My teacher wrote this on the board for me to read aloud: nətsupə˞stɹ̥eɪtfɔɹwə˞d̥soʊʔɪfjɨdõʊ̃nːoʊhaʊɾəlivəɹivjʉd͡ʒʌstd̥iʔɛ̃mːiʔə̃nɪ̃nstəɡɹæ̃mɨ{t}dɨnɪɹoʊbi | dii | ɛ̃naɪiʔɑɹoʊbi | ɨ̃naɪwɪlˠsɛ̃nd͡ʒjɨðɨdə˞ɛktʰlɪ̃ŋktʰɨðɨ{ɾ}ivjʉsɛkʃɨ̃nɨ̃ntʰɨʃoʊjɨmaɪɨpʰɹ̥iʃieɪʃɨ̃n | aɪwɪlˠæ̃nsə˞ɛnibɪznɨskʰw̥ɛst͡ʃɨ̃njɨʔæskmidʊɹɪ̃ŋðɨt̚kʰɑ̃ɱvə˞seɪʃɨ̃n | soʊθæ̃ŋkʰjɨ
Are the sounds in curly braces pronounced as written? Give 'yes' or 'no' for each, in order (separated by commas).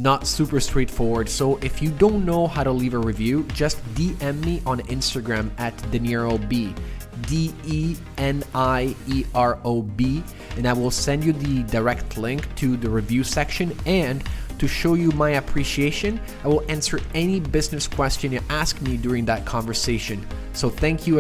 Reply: yes, no